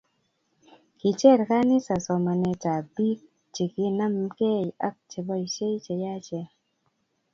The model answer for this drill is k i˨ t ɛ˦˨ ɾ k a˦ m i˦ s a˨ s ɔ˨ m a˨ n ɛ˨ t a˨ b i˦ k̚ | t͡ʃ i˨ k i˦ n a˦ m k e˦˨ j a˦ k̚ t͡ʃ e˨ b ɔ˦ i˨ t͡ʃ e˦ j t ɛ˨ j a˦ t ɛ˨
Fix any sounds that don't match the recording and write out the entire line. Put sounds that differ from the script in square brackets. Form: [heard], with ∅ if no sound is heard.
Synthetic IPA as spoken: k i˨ [t͡ʃ] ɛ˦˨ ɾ k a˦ [n] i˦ s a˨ s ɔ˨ m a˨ n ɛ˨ t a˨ b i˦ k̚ | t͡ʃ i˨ k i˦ n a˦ m k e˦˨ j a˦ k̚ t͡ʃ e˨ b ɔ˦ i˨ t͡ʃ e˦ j [t͡ʃ] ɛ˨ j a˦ [t͡ʃ] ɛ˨